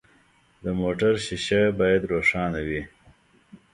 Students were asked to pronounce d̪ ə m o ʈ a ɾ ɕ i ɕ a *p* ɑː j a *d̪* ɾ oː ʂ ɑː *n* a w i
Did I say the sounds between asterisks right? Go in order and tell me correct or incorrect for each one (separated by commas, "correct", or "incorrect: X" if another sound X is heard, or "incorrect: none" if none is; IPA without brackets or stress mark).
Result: incorrect: b, correct, correct